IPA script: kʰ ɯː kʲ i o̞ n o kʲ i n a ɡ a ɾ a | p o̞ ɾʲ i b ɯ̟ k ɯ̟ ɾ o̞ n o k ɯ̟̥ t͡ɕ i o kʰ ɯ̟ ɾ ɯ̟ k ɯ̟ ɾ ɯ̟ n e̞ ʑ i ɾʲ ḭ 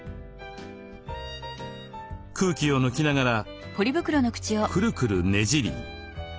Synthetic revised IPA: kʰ ɯː kʲ i o̞ n o kʲ i n a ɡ a ɾ a | p o̞ ɾʲ i b ɯ̟ k ɯ̟ ɾ o̞ n o k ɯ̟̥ t͡ɕ i o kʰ ɯ̟ ɾ ɯ̟ k ɯ̟ ɾ ɯ̟ n e̞ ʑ i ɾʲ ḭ